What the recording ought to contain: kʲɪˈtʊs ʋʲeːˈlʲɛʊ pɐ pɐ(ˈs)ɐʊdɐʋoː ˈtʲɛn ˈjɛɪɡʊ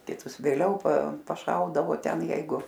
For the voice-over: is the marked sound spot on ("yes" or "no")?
no